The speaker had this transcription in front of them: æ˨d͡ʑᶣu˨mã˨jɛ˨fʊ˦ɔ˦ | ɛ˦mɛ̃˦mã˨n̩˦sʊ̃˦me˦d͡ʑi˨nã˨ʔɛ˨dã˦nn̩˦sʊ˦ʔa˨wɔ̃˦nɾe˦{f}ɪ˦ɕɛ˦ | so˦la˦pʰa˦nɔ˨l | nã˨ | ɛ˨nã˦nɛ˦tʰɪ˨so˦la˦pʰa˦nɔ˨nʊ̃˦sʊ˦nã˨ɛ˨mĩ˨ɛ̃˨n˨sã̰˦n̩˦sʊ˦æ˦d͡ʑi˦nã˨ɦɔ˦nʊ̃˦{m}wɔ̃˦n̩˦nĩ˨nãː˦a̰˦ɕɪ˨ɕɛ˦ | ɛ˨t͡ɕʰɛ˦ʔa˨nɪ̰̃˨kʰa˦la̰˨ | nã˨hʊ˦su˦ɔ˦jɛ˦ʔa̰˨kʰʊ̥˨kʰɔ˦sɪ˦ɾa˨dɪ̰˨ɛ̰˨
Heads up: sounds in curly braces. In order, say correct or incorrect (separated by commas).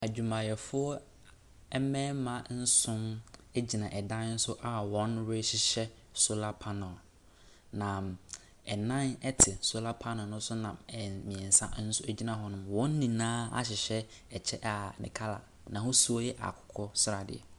incorrect, correct